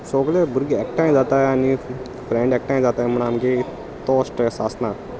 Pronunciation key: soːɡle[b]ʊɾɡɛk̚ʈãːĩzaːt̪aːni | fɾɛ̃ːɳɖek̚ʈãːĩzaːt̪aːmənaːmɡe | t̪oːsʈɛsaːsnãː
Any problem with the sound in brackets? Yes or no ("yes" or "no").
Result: no